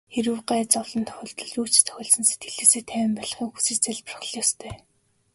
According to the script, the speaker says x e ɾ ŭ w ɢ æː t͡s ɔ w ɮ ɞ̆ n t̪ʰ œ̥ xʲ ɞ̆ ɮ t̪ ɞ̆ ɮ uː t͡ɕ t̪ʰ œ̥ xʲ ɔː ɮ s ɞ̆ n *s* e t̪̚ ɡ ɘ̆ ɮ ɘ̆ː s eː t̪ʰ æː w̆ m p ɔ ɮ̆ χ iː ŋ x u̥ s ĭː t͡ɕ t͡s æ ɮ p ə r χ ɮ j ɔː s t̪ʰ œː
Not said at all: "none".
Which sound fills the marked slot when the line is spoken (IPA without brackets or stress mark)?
s